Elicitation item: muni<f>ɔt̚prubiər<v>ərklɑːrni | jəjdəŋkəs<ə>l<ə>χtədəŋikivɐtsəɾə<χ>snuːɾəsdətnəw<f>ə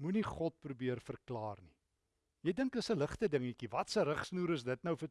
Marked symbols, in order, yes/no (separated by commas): no, no, yes, yes, yes, yes